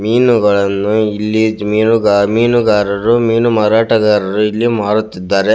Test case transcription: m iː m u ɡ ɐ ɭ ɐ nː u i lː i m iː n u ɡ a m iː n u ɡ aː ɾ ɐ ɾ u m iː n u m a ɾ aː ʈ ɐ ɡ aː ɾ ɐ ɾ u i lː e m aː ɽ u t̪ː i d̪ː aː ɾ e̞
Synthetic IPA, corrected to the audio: m iː n u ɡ ɐ ɭ ɐ nː u i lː i m iː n u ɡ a m iː n u ɡ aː ɾ ɐ ɾ u m iː n u m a ɾ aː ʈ ɐ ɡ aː ɾ ɐ ɾ u i lː i m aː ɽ u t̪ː i d̪ː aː ɾ e̞